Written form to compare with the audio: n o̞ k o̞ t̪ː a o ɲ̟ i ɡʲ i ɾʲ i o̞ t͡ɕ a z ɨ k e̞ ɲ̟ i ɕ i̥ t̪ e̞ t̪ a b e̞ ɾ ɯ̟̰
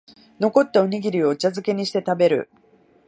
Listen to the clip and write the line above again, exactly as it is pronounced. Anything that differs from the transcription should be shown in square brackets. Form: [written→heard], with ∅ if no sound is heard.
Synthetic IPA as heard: n o̞ k o̞ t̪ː a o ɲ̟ i ɡʲ i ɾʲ i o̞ t͡ɕ a z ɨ k e̞ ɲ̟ i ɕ i̥ t̪ e̞ t̪ a b e̞ ɾ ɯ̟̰